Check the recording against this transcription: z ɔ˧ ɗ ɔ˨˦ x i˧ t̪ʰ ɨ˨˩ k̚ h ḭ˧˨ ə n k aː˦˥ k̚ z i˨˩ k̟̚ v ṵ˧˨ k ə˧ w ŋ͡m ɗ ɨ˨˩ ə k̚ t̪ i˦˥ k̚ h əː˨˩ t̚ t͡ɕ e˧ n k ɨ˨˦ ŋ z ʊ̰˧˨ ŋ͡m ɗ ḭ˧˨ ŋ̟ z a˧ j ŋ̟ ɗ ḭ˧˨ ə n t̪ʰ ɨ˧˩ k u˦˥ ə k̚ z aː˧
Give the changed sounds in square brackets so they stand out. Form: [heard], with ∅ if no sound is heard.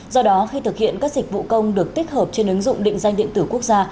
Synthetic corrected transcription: z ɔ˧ ɗ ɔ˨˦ x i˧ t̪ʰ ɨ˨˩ k̚ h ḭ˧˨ ə n k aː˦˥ k̚ z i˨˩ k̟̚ v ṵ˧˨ k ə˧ w ŋ͡m ɗ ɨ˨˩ ə k̚ t̪ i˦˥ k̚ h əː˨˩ [p̚] t͡ɕ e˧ n [ʔ] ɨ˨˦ ŋ z ʊ̰˧˨ ŋ͡m ɗ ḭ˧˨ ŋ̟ z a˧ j ŋ̟ ɗ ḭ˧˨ ə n [t̪] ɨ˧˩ k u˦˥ ə k̚ z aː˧